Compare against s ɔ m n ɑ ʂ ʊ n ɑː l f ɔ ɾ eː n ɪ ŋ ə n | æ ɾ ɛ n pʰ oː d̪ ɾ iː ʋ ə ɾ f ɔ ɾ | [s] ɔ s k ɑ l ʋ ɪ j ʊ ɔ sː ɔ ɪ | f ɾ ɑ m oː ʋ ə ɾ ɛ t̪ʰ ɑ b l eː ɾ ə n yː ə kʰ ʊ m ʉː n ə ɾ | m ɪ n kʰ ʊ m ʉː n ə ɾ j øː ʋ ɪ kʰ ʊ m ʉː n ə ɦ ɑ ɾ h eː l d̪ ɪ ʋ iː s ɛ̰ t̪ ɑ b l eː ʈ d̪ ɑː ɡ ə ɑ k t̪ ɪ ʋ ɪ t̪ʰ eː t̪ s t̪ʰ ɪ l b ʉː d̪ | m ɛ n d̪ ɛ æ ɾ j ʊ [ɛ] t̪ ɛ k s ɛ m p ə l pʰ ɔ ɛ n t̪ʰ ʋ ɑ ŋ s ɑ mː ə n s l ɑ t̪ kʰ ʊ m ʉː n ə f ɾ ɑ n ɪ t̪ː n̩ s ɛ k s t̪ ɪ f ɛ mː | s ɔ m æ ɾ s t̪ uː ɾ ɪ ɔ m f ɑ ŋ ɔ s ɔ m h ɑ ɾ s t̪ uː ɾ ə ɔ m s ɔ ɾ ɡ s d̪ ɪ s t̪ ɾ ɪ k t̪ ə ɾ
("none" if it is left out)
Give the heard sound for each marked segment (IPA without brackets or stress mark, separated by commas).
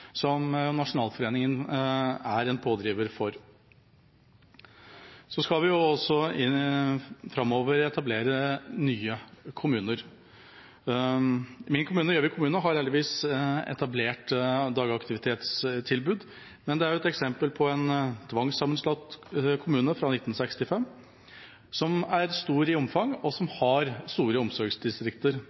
s, ɛ